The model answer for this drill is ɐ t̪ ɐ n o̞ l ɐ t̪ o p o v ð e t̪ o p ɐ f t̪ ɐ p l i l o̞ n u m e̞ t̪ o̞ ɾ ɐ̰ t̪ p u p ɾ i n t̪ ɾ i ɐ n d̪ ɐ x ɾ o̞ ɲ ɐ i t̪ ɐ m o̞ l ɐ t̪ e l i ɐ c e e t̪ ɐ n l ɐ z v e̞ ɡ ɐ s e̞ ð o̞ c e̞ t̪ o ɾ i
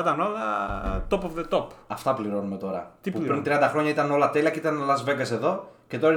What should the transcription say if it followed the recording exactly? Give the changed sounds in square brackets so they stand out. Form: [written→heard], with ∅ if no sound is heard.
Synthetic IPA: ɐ t̪ ɐ n o̞ l ɐ t̪ o p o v ð e t̪ o p ɐ f t̪ ɐ p l i [l→ɾ] o̞ n u m e̞ t̪ o̞ ɾ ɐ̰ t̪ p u p ɾ i n t̪ ɾ i ɐ n d̪ ɐ x ɾ o̞ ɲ ɐ i t̪ ɐ [m→n] o̞ l ɐ t̪ e l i ɐ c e [e→i] t̪ ɐ n l ɐ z v e̞ ɡ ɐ s e̞ ð o̞ c e̞ t̪ o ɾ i